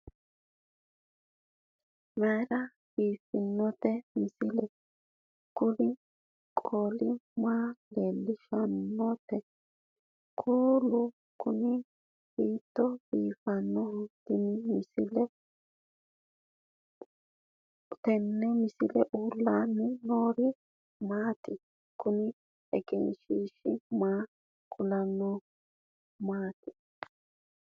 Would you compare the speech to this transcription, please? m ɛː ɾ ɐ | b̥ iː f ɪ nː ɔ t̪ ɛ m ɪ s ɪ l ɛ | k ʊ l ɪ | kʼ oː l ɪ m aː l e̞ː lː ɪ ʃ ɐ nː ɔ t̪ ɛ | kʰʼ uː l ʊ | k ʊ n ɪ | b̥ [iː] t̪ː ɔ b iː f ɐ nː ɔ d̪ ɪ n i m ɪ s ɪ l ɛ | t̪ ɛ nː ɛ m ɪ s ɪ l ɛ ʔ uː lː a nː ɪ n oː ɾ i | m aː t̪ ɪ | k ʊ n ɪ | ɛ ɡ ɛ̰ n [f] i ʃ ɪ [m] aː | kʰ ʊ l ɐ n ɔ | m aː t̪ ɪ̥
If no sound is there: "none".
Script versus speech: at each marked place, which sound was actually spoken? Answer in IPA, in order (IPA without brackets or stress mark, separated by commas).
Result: iː, ʃ, m